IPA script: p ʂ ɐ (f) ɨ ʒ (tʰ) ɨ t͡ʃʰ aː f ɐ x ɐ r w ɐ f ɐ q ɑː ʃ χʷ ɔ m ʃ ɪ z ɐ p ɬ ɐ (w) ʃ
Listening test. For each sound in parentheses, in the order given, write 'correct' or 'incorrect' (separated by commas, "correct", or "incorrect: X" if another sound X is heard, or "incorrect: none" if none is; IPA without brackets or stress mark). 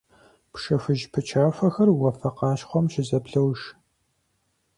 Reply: correct, incorrect: pʰ, correct